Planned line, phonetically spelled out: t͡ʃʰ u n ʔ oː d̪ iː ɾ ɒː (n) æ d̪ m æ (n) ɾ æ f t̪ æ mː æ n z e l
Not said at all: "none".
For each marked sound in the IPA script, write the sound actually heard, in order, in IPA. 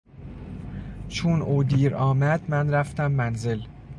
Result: m, n

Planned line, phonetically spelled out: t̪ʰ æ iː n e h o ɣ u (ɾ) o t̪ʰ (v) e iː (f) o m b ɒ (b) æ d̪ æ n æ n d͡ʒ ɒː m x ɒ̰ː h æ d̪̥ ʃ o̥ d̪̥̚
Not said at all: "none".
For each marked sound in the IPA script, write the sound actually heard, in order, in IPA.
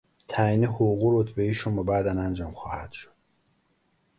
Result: ɾ, b, ʃ, b

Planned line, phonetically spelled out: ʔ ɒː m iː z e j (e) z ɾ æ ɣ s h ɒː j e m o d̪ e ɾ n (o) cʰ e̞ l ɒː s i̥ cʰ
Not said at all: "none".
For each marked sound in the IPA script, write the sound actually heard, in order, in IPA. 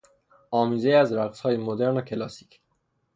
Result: æ, o

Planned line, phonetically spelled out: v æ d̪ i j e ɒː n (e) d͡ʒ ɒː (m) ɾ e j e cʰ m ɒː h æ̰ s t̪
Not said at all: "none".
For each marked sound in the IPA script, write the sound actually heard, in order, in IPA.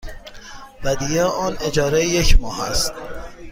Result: e, none

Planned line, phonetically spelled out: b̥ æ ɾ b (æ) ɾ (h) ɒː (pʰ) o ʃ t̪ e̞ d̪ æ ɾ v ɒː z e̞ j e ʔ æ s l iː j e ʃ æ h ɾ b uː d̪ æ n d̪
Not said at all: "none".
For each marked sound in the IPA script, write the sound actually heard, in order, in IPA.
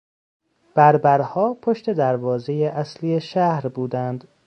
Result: æ, h, pʰ

